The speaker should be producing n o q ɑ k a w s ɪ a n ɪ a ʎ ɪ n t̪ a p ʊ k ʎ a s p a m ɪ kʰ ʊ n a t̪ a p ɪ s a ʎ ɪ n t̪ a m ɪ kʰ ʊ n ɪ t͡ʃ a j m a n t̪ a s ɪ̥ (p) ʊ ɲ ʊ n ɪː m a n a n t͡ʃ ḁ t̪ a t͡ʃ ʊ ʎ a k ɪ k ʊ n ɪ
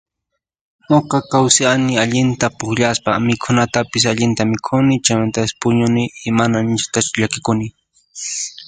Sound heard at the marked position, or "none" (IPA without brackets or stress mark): p